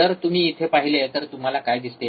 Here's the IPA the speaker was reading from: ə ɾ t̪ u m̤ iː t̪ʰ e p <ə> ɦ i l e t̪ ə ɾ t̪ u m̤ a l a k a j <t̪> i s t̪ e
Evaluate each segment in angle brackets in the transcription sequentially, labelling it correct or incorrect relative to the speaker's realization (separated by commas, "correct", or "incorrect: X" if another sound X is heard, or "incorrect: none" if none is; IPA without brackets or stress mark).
incorrect: a, incorrect: d̪